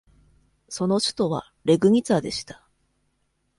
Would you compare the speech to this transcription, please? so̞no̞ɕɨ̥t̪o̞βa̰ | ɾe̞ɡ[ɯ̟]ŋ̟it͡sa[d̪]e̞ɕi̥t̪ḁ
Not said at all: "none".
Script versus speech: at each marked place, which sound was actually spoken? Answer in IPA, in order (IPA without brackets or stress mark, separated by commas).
ɯ̟, d̪